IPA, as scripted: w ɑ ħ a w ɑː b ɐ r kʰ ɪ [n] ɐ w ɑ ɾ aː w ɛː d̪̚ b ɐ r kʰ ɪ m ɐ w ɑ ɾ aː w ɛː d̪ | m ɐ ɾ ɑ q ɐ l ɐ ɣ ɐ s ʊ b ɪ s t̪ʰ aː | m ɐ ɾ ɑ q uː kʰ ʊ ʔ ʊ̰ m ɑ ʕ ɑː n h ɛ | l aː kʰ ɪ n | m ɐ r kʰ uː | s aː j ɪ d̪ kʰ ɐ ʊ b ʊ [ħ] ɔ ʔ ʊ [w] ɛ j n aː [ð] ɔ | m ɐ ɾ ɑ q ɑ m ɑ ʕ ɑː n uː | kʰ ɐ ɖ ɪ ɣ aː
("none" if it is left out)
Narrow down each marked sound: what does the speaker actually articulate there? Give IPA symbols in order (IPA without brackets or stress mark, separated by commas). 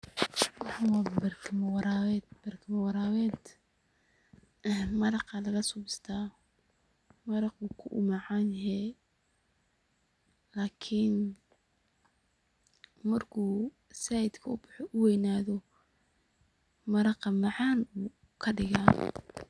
m, ħ, w, ð